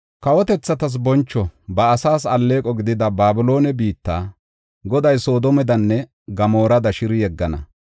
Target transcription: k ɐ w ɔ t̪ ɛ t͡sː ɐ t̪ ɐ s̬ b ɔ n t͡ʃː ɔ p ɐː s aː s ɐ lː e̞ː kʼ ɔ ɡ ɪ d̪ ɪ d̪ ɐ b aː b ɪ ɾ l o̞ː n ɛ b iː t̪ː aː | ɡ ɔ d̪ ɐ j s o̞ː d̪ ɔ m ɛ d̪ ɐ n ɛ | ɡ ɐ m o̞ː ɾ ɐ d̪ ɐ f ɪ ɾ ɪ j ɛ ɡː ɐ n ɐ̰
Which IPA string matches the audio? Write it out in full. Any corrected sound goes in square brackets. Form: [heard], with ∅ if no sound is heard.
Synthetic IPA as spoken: k ɐ w ɔ t̪ ɛ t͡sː ɐ t̪ ɐ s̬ b ɔ n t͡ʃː ɔ [b] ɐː s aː s ɐ lː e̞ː kʼ ɔ ɡ ɪ d̪ ɪ d̪ ɐ b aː b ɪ [∅] l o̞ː n ɛ b iː t̪ː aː | ɡ ɔ d̪ ɐ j s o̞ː d̪ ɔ m ɛ d̪ ɐ [nː] ɛ | ɡ ɐ m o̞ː ɾ ɐ d̪ ɐ [ʃ] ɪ ɾ ɪ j ɛ ɡː ɐ n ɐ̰